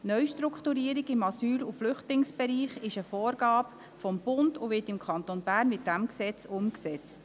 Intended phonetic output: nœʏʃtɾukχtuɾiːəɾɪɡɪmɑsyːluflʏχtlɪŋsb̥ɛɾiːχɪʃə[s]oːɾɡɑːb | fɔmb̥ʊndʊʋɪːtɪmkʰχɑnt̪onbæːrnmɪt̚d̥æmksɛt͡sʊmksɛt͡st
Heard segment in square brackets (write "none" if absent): f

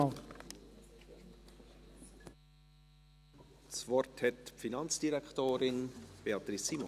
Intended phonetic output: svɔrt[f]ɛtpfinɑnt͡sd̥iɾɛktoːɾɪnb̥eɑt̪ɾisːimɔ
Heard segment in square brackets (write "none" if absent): h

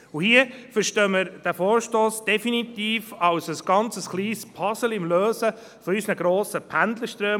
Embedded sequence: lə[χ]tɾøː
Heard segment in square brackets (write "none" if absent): ʃ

